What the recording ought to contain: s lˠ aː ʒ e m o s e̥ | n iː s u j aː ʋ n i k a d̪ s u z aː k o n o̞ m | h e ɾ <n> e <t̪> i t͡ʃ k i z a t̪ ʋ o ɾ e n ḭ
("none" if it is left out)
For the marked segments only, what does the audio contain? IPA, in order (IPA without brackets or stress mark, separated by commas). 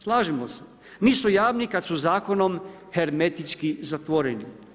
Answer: m, t̪